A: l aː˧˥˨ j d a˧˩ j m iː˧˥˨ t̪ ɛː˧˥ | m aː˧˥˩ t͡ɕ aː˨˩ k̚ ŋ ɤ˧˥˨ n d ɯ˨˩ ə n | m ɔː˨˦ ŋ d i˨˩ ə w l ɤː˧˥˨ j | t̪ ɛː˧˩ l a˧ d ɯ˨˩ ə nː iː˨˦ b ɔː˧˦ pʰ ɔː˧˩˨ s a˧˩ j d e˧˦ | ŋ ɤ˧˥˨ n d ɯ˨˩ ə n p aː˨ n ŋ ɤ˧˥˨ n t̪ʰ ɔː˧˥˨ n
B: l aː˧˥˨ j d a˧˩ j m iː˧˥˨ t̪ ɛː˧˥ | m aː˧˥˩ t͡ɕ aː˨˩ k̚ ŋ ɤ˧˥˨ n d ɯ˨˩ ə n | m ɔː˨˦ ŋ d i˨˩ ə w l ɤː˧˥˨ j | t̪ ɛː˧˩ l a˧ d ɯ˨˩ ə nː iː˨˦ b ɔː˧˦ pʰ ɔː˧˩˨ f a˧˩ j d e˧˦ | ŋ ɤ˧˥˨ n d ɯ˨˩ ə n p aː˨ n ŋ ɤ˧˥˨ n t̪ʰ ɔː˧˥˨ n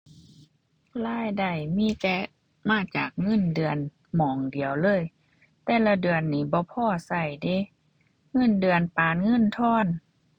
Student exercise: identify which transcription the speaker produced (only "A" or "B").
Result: A